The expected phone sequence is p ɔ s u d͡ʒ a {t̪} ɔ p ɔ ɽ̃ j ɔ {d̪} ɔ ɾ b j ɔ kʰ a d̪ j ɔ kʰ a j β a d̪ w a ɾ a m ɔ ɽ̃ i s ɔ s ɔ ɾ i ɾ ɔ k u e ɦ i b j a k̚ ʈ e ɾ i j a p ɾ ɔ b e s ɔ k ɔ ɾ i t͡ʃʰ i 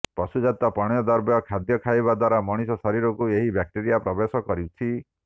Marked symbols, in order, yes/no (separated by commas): yes, yes